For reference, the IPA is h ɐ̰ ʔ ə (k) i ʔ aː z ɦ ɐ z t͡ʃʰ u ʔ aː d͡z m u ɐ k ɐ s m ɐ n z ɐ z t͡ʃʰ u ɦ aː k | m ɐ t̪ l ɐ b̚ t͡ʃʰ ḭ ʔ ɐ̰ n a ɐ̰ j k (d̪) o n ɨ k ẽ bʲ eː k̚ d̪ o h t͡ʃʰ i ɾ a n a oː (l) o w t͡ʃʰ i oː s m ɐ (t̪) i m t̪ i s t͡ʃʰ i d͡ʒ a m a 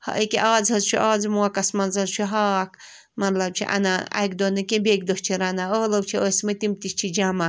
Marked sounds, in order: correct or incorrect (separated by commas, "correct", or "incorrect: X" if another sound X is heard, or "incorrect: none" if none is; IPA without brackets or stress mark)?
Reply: correct, correct, correct, correct